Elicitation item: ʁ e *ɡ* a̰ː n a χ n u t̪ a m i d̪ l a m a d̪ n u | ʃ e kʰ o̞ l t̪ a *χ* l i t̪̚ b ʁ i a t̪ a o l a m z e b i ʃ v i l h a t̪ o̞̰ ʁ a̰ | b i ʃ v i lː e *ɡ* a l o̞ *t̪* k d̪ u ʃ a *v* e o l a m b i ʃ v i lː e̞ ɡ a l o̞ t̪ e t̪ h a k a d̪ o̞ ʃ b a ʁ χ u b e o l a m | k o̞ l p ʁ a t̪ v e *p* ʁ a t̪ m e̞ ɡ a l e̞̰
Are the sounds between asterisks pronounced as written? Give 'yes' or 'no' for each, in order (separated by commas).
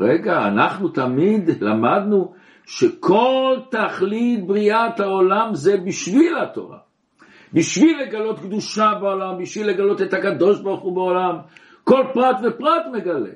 yes, yes, yes, yes, no, yes